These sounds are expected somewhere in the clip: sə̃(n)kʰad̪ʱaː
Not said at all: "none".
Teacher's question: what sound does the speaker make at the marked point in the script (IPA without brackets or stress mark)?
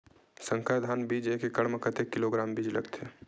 ŋ